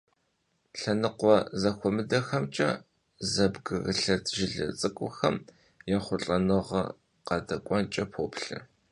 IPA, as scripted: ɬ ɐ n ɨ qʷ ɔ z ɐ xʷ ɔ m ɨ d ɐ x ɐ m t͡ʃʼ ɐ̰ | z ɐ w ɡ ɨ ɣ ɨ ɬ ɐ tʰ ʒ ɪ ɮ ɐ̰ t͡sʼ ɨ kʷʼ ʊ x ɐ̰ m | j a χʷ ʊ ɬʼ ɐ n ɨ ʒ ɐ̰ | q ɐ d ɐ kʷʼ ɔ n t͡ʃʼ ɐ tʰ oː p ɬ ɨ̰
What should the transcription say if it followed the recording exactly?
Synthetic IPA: ɬ ɐ n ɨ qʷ ɔ z ɐ xʷ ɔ m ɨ d ɐ x ɐ m t͡ʃʼ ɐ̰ | z ɐ b ɡ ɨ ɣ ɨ ɬ ɐ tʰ ʒ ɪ ɮ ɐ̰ t͡sʼ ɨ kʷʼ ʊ x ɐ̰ m | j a χʷ ʊ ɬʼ ɐ n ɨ ʁ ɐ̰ | q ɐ d ɐ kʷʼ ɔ n t͡ʃʼ ɐ pʰ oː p ɬ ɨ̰

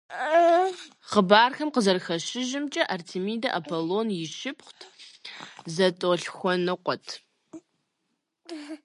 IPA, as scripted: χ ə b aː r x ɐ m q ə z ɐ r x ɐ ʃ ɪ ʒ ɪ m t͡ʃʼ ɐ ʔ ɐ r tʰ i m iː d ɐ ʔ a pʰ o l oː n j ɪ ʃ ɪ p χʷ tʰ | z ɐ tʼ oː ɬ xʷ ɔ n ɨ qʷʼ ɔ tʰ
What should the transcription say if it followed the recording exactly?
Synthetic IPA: χ ə b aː r x ɐ m q ə z ɐ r x ɐ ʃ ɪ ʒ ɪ m t͡ʃʼ ɐ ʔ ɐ r tʰ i m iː d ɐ ʔ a pʰ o l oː n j ɪ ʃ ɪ p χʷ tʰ | z ɐ tʼ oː ɬ xʷ ɔ n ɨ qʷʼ ɔ tʰ

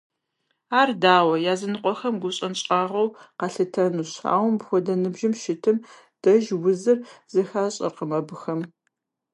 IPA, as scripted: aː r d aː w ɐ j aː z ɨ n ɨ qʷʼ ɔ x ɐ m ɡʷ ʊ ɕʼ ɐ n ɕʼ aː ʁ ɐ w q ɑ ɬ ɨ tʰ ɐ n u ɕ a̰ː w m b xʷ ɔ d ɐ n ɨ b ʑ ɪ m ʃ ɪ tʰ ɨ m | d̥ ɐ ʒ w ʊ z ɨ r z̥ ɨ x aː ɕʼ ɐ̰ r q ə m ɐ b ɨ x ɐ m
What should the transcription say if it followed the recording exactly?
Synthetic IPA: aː r d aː w ɐ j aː z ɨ n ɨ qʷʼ ɔ x ɐ m ɡʷ ʊ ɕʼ ɐ n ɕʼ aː ʁ ɐ w q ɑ ɬ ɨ tʰ ɐ n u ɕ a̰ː w m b xʷ ɔ d ɐ n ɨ b ʒ ɪ m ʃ ɪ tʰ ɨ m | d̥ ɐ ʒ w ʊ z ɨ r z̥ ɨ x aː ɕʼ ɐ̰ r q ə m ɐ b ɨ x ɐ m

